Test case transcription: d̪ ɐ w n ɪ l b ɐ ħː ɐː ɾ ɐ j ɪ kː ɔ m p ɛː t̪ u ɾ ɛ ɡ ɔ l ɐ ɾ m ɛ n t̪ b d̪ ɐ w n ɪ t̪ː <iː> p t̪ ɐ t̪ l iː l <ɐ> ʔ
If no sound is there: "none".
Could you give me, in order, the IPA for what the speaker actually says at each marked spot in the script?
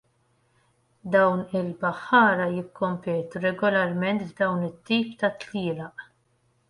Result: iː, ɐ

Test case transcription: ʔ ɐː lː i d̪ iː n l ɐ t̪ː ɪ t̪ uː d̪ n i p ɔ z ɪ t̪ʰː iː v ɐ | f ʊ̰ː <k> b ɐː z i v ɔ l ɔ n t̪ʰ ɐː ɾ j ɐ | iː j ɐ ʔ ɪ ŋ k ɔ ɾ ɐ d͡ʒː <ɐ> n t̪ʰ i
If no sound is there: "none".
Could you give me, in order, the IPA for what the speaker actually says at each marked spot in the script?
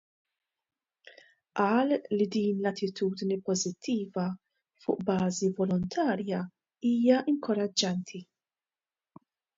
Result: ʔ, ɐ

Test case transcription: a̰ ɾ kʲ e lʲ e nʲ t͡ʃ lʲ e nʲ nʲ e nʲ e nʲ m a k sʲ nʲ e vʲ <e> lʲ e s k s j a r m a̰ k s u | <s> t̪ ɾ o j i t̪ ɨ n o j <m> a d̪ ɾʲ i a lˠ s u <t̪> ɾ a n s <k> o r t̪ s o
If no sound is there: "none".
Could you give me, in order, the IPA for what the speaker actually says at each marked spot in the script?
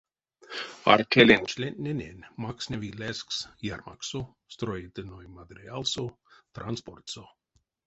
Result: i, s, m, t̪, p

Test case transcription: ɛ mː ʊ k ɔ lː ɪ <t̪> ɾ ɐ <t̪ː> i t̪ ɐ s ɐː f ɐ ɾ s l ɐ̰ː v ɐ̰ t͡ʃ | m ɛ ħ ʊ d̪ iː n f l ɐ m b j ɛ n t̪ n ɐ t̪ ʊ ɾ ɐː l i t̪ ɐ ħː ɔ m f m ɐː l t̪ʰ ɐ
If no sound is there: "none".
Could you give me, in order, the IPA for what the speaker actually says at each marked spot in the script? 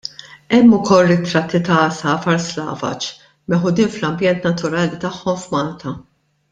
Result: t̪, t̪ː

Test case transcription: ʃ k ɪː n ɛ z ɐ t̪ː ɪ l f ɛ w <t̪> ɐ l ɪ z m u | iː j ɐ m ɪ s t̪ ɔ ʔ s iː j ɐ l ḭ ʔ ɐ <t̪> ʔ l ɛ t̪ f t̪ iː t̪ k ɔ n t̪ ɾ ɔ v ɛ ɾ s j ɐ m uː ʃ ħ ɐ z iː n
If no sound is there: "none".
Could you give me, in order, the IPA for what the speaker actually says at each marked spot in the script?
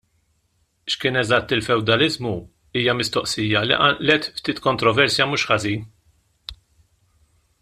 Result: d̪, none

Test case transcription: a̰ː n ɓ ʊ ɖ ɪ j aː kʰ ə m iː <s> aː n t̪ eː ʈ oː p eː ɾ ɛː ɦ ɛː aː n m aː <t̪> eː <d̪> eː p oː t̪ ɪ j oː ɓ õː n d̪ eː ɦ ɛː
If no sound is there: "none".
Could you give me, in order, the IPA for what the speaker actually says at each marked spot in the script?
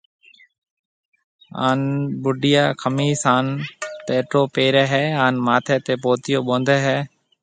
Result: s, t̪ʰ, t̪

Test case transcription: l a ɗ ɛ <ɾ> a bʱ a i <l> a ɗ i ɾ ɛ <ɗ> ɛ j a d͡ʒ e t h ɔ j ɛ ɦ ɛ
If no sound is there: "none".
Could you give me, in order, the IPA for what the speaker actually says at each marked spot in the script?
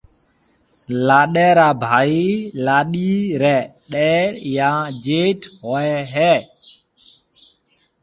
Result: ɾ, l, ɗ

